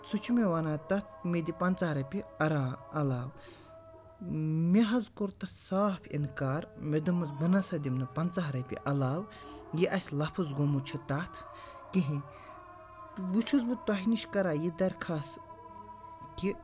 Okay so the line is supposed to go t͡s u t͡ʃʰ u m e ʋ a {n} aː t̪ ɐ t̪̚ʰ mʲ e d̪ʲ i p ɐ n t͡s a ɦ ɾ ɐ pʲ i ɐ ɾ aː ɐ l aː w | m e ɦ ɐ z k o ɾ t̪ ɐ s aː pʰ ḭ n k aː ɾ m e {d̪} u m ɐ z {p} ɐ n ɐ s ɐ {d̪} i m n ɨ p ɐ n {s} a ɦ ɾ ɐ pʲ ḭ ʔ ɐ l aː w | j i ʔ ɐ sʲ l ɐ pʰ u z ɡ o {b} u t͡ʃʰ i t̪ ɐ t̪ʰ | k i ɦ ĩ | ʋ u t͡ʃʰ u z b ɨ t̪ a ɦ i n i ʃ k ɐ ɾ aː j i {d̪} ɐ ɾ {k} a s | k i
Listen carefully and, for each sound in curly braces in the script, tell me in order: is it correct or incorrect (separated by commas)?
correct, correct, incorrect, correct, incorrect, incorrect, correct, incorrect